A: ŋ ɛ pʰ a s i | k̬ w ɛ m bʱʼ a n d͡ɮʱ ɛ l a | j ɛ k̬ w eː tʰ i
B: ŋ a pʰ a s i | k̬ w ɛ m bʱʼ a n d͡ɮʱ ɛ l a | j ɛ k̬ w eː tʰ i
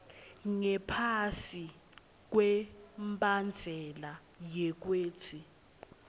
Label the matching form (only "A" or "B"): A